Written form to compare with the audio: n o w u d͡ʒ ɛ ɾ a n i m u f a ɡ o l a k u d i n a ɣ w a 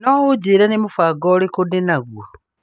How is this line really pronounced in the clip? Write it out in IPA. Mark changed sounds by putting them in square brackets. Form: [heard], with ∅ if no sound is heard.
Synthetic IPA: n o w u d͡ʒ [i] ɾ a n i m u f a ɡ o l [i] k u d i n a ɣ w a

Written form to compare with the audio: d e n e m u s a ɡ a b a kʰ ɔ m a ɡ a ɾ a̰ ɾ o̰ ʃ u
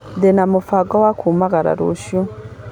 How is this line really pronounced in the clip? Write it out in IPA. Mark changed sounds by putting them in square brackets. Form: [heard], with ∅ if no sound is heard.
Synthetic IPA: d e n [a] m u [f] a ɡ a [w] a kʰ [u] m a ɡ a ɾ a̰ ɾ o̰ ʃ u

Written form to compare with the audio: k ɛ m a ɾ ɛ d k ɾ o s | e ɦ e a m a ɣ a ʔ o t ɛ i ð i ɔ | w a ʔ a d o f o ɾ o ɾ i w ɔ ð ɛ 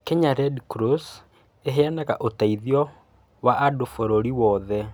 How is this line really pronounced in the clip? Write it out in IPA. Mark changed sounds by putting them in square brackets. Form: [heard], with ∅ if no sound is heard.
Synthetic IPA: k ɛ [ɲ] a ɾ ɛ d k ɾ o s | e ɦ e a [n] a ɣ a ʔ o t [a] i ð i ɔ | w a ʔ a d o f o ɾ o ɾ i w ɔ ð ɛ

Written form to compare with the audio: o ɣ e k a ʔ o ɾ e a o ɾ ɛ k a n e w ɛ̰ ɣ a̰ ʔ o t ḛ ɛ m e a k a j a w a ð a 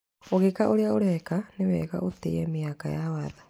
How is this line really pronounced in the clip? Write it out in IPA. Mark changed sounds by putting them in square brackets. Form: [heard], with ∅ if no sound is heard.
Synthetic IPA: o ɣ e k a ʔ o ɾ e a o ɾ ɛ k a n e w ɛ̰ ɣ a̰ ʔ o t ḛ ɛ m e a k a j a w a ð a

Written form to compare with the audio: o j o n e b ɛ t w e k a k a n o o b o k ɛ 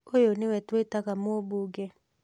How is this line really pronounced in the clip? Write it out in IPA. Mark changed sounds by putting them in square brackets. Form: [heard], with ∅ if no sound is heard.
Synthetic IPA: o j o n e [w] ɛ t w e [t] a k a [m] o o b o [ɡ] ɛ

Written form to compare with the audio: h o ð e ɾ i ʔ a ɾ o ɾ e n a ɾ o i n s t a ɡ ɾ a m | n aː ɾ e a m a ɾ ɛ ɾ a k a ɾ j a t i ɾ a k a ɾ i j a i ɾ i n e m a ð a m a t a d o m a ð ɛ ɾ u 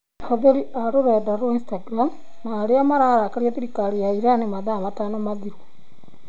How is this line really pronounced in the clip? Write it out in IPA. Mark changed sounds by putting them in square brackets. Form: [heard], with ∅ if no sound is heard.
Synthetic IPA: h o ð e ɾ i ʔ a ɾ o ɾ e [d] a ɾ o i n s t a ɡ ɾ a m | n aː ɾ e a m a ɾ [a] ɾ a k a ɾ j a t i ɾ [i] k a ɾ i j a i ɾ [a] n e m a ð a m a t a [n] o m a ð [i] ɾ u

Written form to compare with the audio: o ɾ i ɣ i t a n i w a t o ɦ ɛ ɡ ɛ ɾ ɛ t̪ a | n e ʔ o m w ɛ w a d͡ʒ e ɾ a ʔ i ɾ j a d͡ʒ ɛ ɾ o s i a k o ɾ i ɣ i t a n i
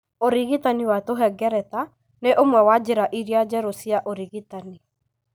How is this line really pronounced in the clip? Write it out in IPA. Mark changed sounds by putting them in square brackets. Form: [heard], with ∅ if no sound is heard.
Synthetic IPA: o ɾ i ɣ i t a n i w a t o ɦ ɛ ɡ ɛ ɾ ɛ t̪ a | n e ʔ o m w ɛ w a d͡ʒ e ɾ a ʔ i ɾ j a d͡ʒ ɛ ɾ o s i a [ʔ] o ɾ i ɣ i t a n i

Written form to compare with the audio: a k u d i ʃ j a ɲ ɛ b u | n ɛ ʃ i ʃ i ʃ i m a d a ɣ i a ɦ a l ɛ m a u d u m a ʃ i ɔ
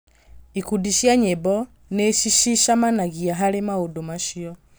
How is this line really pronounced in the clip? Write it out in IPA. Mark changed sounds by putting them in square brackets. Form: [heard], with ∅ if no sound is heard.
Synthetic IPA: [i] k u d i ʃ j a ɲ ɛ b [ɔ] | n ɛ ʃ i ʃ i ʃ [a] m a [n] a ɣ i a ɦ a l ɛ m a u d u m a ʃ i ɔ

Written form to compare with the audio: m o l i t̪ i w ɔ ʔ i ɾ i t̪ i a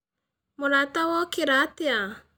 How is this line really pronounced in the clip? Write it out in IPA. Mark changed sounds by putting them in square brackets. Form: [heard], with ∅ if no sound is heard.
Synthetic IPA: m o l [a] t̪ [a] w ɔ [k] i ɾ [a] t̪ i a

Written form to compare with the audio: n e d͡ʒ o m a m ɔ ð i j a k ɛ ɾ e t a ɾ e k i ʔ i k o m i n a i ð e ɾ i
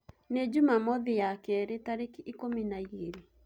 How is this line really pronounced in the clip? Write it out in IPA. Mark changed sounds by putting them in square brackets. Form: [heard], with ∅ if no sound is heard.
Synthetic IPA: n e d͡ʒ [u] m a m ɔ ð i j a k ɛ ɾ e t a ɾ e k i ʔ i k o m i n a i [ɣ] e ɾ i

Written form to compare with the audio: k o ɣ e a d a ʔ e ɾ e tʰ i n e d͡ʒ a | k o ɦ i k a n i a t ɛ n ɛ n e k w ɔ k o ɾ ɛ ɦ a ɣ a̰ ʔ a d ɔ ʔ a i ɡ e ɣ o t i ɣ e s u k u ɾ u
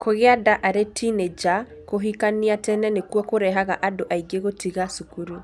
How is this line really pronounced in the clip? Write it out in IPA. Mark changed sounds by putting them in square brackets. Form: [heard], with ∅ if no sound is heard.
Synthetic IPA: k o ɣ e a d a ʔ [a] ɾ e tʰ i n e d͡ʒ a | k o ɦ i k a n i a t ɛ n ɛ n e k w ɔ k o ɾ ɛ ɦ a ɣ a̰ ʔ a d [o] ʔ a i ɡ e ɣ o t i ɣ [a] s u k u ɾ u

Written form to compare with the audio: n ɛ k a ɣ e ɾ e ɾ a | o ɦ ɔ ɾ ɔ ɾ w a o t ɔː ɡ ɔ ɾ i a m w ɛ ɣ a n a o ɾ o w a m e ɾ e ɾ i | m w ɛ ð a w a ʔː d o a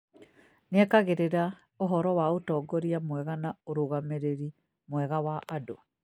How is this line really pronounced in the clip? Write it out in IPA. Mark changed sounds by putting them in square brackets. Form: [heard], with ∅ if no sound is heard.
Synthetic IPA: n ɛ k a ɣ e ɾ e ɾ a | o ɦ ɔ ɾ ɔ [∅] w a o t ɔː ɡ ɔ ɾ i a m w ɛ ɣ a n a o ɾ o [ɣ] a m e ɾ e ɾ i | m w ɛ [ɣ] a w a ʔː d o a

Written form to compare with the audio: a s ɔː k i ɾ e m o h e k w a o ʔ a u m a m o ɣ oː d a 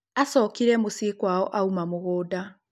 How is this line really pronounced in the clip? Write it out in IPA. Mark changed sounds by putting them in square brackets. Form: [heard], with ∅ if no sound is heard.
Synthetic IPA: a s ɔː k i ɾ [ɛ] m o [s] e k w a [ɔ] ʔ a u m a m o ɣ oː d a

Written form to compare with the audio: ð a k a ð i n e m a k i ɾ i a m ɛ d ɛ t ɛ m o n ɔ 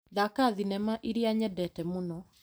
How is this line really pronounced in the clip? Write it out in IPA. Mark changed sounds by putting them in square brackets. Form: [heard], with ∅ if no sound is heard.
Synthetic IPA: ð a k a ð i n [ɛ] m a [ʔ] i ɾ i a [ɲ] ɛ d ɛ t ɛ m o n ɔ

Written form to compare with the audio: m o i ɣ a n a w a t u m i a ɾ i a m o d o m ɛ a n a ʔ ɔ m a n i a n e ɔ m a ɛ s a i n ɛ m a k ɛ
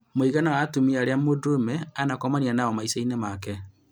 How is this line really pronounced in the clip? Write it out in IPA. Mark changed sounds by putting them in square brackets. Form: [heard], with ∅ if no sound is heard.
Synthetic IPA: m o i ɣ a n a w a t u m i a ɾ [e] a m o d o m ɛ a n a [k] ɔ m a n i a n [a] ɔ m a [i] s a i n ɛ m a k ɛ

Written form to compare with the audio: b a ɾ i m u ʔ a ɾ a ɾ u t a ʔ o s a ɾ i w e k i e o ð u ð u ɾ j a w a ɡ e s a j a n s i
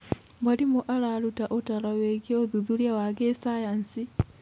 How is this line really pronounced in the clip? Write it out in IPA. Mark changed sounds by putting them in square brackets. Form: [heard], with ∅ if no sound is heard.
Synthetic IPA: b a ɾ i m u ʔ a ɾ a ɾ u t a ʔ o [t] a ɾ [a] w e [ɡ] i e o ð u ð u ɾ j a w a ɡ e s a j a n s i

